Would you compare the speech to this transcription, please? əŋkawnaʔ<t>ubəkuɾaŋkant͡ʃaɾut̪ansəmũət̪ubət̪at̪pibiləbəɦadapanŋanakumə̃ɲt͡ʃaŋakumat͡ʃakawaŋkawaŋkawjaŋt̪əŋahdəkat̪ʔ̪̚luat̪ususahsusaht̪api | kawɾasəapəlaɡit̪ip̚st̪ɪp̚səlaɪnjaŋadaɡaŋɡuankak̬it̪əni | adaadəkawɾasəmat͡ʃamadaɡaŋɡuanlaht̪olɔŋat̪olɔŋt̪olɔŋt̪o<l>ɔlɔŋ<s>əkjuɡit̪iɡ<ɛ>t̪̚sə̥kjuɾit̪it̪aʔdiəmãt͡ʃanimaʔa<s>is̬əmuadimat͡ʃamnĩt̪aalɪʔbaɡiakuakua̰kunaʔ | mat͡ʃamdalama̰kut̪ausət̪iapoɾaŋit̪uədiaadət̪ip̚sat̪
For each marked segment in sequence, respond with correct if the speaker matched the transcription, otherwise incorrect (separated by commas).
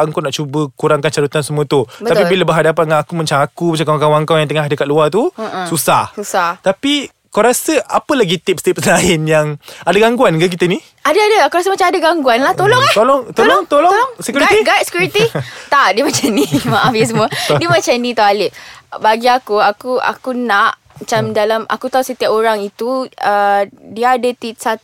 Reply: incorrect, correct, correct, incorrect, incorrect